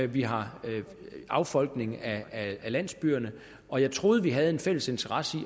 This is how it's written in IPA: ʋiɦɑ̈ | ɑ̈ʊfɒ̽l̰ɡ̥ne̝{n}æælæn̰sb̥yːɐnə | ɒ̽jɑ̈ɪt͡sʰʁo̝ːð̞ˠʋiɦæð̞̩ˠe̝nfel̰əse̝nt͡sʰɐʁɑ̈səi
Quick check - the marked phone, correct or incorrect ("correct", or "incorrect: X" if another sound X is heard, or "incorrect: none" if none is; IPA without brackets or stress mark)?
incorrect: ŋ